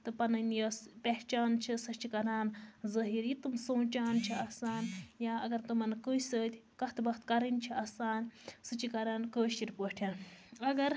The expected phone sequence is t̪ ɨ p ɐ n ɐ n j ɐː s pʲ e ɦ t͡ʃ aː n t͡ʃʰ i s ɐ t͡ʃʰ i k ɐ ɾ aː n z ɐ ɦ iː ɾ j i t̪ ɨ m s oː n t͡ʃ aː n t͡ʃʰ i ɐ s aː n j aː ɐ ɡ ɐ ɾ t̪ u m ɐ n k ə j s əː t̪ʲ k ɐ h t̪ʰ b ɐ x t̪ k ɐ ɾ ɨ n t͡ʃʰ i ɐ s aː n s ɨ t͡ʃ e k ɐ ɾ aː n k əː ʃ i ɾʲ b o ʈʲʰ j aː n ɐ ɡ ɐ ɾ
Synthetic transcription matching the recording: t̪ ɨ p ɐ n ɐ n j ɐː s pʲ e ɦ t͡ʃ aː n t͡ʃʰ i s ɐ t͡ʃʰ i k ɐ ɾ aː n z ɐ ɦ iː ɾ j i t̪ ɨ m s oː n t͡ʃ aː n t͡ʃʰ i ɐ s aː n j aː ɐ ɡ ɐ ɾ t̪ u m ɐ n k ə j s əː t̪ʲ k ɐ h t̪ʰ b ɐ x t̪ k ɐ ɾ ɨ n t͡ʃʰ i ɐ s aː n s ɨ t͡ʃ i k ɐ ɾ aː n k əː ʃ i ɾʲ p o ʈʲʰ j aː n ɐ ɡ ɐ ɾ

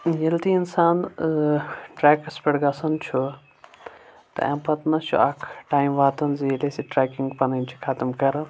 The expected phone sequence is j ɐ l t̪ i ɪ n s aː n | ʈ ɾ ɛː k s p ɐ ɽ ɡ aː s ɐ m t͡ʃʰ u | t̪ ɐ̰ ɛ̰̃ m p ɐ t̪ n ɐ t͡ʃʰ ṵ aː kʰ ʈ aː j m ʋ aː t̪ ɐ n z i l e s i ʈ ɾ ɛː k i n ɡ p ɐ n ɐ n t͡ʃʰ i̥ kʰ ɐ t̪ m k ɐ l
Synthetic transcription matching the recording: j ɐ l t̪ i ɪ n s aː n | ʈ ɾ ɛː k s p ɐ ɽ ɡ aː s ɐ n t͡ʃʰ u | t̪ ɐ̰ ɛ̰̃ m p ɐ t̪ n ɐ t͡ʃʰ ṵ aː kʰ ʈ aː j m ʋ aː t̪ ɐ n z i l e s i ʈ ɾ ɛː k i ŋ ɡ p ɐ n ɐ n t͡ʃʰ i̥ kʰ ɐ t̪ m k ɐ ɾ

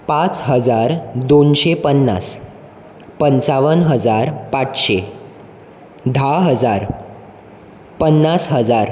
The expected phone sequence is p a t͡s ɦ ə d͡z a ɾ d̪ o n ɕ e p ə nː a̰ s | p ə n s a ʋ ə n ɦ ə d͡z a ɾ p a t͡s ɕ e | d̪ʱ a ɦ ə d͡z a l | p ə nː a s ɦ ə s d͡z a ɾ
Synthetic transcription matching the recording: p a t͡s ɦ ə d͡z a ɾ d̪ o n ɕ e p ə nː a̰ s | p ə n t͡s a ʋ ə n ɦ ə d͡z a ɾ p a t͡s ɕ e | d̪ʱ a ɦ ə d͡z a ɾ | p ə nː a s ɦ ə d͡z a ɾ

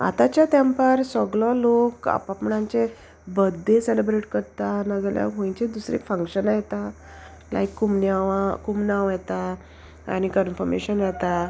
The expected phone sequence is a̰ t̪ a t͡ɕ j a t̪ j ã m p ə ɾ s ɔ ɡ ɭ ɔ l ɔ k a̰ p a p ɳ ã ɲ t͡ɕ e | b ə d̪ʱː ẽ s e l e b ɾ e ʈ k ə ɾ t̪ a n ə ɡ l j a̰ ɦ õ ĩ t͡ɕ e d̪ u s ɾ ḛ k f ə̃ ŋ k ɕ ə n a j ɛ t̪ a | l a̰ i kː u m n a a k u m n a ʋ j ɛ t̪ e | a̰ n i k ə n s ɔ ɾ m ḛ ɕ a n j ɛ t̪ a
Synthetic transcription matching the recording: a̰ t̪ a t͡ɕ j a t̪ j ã m p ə ɾ s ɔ ɡ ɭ ɔ l o k a̰ p a p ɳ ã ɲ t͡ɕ e | b ə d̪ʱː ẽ s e l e b ɾ e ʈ k ə ɾ t̪ a n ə ɡ l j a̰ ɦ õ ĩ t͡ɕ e d̪ u s ɾ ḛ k f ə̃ ŋ k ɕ ə n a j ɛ t̪ a | l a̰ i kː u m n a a k u m n a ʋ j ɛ t̪ a | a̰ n i k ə n f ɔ ɾ m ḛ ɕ ə n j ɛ t̪ a

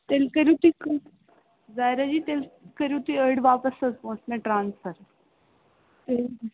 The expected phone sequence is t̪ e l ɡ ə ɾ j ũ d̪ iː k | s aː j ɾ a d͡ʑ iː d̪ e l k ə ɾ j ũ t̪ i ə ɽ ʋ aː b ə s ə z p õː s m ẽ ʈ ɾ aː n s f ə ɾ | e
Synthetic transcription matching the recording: t̪ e l k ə ɾ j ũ t̪ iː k | z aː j ɾ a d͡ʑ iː t̪ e l k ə ɾ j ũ t̪ i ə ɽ ʋ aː p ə s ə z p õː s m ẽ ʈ ɾ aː n s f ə ɾ | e

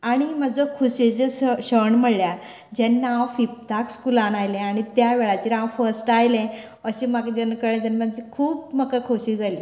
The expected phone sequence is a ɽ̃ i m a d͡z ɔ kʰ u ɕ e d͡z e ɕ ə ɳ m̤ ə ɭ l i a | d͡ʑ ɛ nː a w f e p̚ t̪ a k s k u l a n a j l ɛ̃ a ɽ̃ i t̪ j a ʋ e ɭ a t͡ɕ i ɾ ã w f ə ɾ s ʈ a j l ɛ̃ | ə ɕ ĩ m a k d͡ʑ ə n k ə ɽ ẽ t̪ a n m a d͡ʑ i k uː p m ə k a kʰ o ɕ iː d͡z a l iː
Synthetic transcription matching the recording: a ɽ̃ i m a d͡z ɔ kʰ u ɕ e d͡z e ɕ ə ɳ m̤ ə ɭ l j a | d͡ʑ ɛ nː a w f i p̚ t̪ a k s k u l a n a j l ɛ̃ a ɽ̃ i t̪ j a ʋ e ɭ a t͡ɕ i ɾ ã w f ə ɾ s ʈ a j l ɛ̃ | ə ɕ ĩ m a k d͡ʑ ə n k ə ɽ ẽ t̪ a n m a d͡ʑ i kʰ uː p m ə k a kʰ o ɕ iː d͡z a l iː

